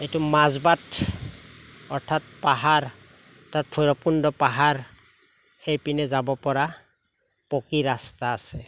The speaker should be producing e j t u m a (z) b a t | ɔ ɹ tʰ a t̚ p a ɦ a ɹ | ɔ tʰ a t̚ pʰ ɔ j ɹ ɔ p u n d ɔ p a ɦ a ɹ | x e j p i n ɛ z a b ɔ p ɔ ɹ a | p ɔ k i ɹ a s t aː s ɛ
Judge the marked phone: correct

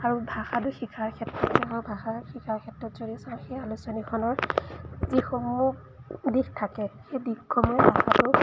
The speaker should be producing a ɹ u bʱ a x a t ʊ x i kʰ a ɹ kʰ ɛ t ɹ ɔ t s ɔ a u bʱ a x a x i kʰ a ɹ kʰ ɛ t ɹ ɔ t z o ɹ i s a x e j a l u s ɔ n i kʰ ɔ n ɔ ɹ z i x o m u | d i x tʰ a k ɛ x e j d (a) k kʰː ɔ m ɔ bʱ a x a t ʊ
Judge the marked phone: incorrect: i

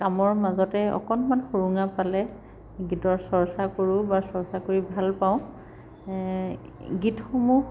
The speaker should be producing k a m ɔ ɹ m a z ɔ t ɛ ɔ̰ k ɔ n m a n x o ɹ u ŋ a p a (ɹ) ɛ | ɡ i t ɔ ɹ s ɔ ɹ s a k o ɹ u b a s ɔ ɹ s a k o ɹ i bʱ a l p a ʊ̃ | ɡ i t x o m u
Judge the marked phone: incorrect: l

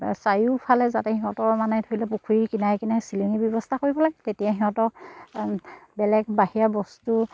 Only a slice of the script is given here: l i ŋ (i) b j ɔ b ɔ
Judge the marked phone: correct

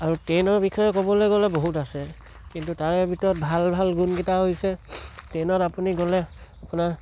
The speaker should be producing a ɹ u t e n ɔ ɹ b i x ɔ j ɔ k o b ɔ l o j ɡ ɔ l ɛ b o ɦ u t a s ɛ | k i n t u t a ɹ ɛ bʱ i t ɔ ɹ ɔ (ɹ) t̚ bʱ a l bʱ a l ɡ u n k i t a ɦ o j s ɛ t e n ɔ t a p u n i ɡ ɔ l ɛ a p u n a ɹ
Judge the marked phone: incorrect: none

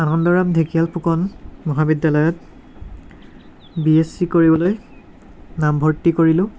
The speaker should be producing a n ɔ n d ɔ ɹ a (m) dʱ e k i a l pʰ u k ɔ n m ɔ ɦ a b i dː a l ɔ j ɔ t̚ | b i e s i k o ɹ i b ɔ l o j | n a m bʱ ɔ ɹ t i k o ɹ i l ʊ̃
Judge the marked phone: correct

